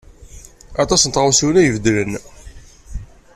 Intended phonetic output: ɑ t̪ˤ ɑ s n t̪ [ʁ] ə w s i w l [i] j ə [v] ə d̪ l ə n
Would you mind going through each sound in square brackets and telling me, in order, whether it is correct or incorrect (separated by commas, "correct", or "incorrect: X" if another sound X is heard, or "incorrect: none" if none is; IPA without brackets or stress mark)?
correct, incorrect: æ, correct